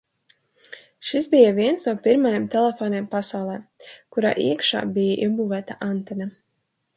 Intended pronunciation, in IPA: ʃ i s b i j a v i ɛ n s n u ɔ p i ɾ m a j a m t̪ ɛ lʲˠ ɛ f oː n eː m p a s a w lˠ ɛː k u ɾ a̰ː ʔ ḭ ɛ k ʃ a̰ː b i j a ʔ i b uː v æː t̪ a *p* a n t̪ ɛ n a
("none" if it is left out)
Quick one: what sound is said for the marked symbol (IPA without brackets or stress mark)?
ʔ